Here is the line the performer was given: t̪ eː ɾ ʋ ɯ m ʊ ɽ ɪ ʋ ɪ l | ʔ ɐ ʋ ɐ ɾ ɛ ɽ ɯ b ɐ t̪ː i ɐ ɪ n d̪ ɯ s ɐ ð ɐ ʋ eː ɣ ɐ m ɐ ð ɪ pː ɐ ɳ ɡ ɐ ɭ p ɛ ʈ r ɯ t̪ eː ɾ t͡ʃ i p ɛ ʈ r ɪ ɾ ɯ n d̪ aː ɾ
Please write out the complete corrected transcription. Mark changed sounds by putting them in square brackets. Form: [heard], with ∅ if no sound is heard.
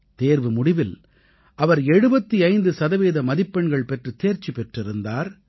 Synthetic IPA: t̪ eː ɾ ʋ ɯ m ʊ ɽ ɪ ʋ ɪ l | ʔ ɐ ʋ ɐ ɾ ɛ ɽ ɯ b ɐ t̪ː i ɐ ɪ n d̪ ɯ s ɐ ð ɐ ʋ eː [ð] ɐ m ɐ ð ɪ pː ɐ ɳ ɡ ɐ ɭ p ɛ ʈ r ɯ t̪ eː ɾ t͡ʃ i p ɛ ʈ r ɪ ɾ ɯ n d̪ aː ɾ